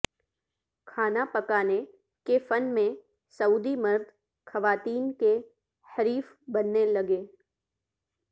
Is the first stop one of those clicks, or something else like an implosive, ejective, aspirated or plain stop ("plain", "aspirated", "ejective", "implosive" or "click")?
aspirated